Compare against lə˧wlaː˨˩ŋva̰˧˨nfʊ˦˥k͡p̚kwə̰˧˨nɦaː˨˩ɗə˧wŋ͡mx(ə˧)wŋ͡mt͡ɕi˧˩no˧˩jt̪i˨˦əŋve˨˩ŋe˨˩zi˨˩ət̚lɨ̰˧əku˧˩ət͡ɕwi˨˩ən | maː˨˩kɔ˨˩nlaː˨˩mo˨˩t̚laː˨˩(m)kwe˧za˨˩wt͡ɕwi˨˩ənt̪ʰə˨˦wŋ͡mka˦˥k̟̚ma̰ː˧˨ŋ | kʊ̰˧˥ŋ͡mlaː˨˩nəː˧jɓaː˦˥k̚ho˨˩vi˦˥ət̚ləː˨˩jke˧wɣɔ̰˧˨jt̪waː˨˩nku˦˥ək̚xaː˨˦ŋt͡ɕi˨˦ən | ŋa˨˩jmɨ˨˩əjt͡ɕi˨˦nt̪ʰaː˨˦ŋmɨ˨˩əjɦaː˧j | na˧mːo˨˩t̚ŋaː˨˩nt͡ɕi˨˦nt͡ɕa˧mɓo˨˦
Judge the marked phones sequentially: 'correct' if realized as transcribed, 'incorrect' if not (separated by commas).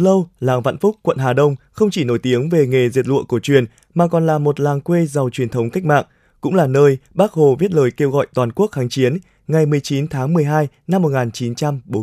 correct, incorrect